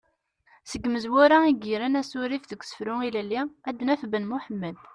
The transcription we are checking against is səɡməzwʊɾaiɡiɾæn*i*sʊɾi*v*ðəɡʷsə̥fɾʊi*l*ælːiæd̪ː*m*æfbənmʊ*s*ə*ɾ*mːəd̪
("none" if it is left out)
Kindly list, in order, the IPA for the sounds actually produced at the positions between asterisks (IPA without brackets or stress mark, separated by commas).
æ, f, l, n, ħ, none